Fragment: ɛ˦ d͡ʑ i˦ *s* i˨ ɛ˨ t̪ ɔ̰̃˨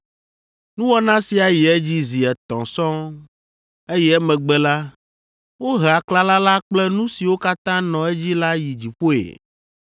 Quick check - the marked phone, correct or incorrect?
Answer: incorrect